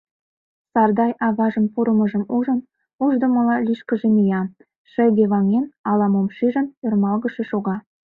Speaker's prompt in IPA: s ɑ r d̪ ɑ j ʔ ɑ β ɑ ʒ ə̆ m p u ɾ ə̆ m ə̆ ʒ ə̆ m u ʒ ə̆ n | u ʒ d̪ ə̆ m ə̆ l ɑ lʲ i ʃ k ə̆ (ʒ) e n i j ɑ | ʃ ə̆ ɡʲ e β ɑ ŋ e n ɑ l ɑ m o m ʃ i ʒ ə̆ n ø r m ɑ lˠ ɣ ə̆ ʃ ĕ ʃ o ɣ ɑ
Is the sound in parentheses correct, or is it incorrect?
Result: correct